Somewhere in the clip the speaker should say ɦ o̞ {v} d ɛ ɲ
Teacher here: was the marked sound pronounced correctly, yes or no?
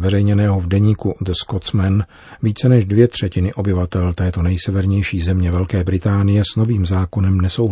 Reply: yes